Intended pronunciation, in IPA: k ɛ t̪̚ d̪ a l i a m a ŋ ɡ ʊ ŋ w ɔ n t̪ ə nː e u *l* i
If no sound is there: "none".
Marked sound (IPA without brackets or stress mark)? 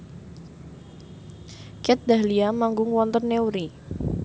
ɾ